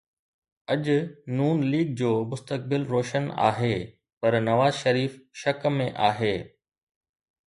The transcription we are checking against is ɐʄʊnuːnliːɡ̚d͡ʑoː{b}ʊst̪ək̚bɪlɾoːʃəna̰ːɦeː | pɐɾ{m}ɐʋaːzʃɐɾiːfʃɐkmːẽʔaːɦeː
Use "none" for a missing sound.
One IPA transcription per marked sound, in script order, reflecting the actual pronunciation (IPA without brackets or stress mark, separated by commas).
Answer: m, n